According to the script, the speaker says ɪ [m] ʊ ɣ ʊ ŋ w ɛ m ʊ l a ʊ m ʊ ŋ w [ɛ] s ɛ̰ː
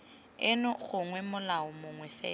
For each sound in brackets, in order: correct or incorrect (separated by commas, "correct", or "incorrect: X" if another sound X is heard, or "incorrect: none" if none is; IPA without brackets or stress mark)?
incorrect: n, correct